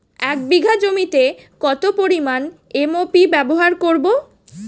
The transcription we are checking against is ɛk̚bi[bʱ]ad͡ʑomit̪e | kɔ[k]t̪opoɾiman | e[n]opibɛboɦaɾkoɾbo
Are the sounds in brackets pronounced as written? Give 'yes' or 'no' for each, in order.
no, no, no

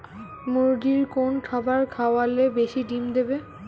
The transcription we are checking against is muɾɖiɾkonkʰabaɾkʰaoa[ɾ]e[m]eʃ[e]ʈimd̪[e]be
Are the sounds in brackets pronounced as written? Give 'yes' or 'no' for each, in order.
no, no, no, yes

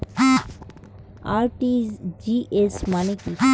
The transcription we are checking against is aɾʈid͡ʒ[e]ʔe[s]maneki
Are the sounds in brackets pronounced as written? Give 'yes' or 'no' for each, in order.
no, yes

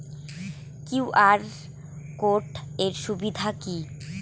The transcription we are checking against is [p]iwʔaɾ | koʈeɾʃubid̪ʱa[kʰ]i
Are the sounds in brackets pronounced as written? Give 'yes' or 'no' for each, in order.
no, no

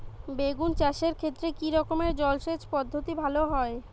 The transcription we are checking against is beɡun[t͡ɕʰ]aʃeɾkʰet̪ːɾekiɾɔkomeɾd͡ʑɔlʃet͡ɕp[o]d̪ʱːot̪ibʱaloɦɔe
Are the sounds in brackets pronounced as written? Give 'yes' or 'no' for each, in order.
no, no

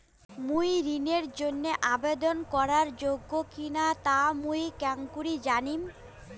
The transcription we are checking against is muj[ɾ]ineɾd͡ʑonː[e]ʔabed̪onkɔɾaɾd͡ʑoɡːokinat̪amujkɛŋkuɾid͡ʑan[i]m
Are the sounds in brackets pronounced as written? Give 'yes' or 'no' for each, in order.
yes, yes, yes

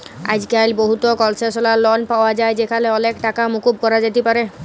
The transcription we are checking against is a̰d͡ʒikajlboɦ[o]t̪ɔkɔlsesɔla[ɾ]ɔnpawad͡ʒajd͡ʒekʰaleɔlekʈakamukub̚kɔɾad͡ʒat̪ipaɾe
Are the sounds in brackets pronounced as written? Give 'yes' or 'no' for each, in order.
no, no

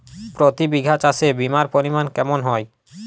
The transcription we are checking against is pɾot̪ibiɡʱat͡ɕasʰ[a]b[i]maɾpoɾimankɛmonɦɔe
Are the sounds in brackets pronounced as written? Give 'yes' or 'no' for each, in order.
no, yes

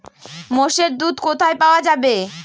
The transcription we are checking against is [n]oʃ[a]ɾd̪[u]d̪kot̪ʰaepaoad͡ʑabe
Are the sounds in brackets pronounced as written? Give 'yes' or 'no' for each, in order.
no, no, yes

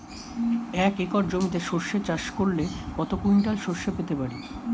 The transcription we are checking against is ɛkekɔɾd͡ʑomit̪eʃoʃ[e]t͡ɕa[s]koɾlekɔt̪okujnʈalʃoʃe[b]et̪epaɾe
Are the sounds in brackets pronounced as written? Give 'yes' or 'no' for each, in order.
yes, no, no

